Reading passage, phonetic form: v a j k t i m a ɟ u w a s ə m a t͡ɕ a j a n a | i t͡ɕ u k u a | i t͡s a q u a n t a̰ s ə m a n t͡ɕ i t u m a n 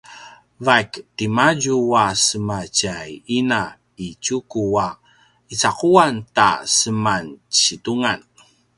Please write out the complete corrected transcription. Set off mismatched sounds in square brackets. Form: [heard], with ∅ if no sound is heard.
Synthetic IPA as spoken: v a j k t i m a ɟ u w a s ə m a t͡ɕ a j [i] n a | i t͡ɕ u k u a | i t͡s a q u a n t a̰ s ə m a n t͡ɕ i t u [ŋ] a n